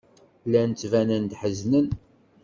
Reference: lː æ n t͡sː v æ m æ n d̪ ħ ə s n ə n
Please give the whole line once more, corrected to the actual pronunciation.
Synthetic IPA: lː æ n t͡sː v æ n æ n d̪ ħ ə z n ə n